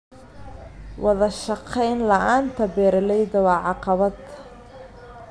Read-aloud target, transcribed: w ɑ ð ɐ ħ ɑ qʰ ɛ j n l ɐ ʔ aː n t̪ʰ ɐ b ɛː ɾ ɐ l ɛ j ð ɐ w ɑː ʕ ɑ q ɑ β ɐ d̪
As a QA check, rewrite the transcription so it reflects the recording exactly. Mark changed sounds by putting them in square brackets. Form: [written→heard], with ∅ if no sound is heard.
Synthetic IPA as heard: w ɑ ð ɐ [ħ→ʃ] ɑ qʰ ɛ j n l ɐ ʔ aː n t̪ʰ ɐ b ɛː ɾ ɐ l ɛ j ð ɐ w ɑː ʕ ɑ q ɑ β ɐ d̪